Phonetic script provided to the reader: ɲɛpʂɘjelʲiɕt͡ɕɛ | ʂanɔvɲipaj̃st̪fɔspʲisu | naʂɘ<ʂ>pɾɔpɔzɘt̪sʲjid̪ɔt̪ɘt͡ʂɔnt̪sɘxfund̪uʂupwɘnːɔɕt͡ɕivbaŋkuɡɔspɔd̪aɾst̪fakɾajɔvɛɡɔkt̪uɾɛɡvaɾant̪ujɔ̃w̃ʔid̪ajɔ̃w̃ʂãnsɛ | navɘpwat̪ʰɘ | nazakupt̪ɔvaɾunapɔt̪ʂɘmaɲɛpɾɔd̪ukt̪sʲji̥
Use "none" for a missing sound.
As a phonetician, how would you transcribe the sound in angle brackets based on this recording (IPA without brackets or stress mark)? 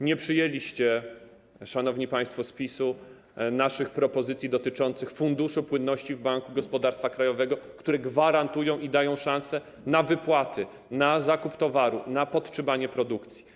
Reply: x